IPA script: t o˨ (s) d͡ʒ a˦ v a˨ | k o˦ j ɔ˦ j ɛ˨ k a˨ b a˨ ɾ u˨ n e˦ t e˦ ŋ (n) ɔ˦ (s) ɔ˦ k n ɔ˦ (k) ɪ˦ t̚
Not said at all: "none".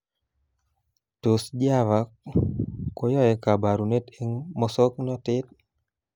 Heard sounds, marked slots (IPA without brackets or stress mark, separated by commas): s, m, s, t